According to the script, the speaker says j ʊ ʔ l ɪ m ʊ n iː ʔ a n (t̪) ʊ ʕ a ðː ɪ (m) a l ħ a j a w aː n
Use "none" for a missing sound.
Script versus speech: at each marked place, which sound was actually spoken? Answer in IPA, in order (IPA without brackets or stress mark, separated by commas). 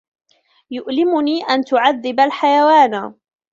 t̪, b